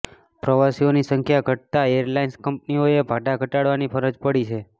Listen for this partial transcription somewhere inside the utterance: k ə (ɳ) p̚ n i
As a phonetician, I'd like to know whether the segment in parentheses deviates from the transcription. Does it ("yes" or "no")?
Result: yes